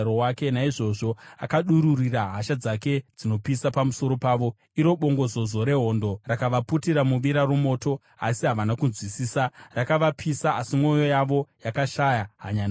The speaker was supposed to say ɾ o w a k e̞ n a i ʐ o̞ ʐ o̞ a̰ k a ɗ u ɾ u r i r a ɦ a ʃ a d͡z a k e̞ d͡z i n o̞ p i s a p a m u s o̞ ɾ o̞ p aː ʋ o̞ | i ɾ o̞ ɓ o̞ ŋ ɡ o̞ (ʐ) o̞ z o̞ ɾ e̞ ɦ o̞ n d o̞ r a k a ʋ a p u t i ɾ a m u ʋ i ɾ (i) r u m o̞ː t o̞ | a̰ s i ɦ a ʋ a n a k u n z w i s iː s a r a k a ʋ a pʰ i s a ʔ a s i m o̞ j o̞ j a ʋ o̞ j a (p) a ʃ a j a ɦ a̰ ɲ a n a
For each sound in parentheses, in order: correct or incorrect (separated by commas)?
incorrect, incorrect, incorrect